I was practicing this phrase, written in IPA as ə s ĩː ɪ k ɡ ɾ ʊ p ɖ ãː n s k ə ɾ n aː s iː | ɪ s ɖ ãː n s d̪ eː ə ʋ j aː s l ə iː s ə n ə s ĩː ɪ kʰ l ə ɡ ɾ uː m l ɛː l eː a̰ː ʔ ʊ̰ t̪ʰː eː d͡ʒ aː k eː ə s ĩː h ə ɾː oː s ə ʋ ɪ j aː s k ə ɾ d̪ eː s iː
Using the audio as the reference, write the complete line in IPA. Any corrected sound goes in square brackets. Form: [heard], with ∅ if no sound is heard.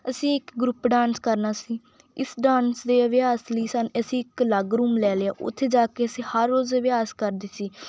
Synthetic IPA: ə s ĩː ɪ k ɡ ɾ ʊ p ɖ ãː n s k ə ɾ n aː s iː | ɪ s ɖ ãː n s d̪ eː ə ʋ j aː s l ə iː s ə n ə s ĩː ɪ [k] l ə ɡ ɾ uː m l ɛː l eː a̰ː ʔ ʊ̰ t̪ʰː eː d͡ʒ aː k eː ə s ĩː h ə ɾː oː [z] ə ʋ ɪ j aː s k ə ɾ d̪ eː s iː